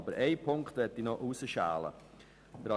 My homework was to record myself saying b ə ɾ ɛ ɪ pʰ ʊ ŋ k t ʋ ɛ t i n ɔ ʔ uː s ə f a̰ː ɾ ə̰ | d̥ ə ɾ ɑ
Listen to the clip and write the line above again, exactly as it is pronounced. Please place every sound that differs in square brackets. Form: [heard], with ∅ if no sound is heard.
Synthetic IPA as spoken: b ə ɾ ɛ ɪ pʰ ʊ ŋ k t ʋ ɛ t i n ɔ ʔ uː s ə [ʃ] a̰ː [l] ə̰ | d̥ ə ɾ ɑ